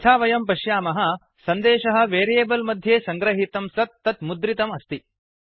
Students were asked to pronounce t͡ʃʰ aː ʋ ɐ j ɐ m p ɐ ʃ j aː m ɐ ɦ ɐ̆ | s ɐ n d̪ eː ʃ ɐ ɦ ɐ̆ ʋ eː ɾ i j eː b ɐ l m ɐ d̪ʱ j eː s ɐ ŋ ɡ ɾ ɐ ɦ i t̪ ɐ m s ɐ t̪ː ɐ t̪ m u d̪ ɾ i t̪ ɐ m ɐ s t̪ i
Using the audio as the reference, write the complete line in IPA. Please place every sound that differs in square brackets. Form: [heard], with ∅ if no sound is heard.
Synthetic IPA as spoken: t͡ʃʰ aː ʋ ɐ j ɐ m p ɐ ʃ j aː m ɐ ɦ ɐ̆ | s ɐ n d̪ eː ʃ ɐ ɦ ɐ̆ ʋ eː ɾ i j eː b ɐ l m ɐ d̪ʱ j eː s ɐ ŋ ɡ ɾ ɐ ɦ i t̪ ɐ m s ɐ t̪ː ɐ t̪ m u d̪ ɾ i t̪ ɐ m ɐ s t̪ i